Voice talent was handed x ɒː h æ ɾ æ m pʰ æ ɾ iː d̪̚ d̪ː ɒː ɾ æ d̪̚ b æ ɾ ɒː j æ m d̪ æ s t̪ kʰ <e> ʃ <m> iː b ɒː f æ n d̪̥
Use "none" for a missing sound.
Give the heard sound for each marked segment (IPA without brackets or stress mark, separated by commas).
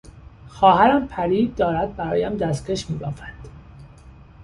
e, m